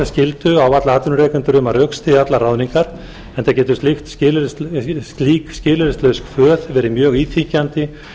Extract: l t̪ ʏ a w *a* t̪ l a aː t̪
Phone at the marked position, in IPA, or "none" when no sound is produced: a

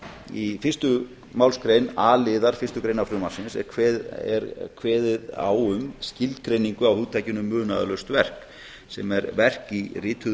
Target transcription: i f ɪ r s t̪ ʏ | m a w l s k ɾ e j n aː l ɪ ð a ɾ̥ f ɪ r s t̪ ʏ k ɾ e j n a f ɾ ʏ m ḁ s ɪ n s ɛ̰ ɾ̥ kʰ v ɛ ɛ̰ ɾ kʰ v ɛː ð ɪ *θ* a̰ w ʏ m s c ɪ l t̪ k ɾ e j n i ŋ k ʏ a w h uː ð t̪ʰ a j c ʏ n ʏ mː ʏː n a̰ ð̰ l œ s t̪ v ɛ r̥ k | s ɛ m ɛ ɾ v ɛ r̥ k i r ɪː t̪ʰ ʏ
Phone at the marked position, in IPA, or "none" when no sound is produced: ð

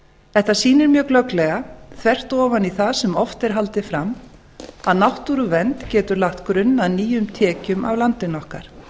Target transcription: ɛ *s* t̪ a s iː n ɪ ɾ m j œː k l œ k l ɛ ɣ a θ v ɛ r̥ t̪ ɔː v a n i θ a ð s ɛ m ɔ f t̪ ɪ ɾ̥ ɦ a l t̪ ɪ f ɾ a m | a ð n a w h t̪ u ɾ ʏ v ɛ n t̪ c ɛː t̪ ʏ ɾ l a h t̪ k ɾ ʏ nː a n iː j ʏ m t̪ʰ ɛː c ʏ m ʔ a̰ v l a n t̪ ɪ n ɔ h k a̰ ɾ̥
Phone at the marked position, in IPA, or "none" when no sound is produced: h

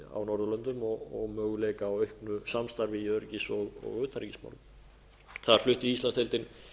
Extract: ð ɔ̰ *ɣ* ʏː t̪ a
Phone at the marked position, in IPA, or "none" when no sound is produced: ɣ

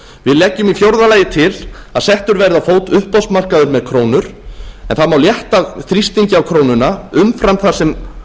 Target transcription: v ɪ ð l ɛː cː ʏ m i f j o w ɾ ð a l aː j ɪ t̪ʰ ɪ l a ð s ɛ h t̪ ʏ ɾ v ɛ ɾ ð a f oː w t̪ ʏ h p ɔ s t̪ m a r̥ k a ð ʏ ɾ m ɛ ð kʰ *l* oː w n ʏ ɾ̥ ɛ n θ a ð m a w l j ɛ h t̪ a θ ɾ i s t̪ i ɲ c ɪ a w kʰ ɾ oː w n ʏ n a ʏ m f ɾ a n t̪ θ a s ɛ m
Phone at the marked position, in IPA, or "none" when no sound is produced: ɾ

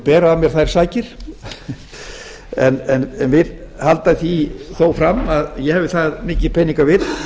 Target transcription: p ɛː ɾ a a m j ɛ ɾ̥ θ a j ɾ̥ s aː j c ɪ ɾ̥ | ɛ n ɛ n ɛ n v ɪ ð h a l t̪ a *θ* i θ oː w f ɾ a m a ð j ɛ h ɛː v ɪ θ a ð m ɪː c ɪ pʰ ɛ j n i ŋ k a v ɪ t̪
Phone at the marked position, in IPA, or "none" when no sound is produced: θ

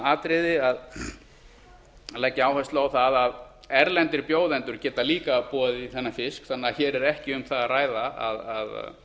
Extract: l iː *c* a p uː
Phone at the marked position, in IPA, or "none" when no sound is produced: k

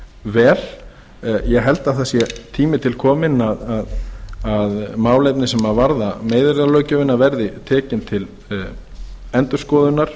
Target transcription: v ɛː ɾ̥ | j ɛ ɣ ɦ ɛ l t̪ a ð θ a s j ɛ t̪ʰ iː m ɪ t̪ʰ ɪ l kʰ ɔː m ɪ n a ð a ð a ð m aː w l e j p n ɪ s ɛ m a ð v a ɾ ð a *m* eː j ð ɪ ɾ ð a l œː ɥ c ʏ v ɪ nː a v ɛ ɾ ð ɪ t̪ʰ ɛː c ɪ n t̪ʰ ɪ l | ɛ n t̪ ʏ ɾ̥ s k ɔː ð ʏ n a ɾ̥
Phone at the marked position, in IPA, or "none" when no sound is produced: m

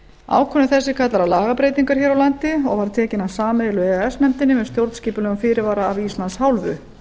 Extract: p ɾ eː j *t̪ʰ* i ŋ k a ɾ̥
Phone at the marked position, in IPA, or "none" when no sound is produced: t̪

